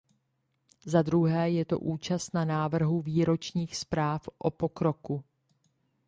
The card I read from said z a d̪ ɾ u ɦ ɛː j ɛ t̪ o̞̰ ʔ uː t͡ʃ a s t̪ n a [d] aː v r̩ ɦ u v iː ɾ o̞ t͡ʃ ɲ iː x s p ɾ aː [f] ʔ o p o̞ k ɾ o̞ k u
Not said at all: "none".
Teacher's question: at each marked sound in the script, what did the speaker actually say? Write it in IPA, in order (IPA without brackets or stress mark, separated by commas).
n, f